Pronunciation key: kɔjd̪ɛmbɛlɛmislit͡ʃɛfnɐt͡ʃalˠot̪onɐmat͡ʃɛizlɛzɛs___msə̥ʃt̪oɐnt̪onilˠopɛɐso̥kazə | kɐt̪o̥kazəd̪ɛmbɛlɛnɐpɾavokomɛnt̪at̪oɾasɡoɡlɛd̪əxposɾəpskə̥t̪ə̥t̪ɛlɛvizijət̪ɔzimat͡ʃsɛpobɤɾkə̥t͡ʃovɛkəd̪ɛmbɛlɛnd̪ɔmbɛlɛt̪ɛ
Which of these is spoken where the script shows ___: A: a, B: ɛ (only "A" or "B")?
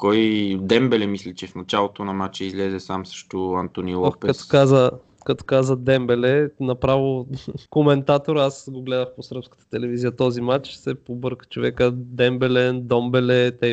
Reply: A